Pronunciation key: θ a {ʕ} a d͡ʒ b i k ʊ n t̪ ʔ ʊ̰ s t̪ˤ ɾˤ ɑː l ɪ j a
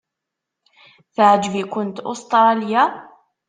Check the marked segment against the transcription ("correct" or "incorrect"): correct